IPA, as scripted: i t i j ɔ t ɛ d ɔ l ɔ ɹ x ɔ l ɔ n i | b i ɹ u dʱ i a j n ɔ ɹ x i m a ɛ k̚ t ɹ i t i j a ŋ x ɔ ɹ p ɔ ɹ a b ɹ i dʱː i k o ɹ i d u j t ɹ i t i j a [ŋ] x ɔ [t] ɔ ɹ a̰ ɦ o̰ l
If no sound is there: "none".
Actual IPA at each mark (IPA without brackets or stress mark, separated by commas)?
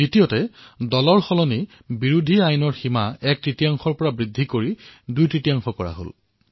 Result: ŋ, k